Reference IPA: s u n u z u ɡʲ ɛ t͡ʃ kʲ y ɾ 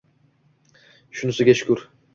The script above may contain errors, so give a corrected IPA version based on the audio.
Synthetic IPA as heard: ʃ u n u s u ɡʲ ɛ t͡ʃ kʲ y ɾ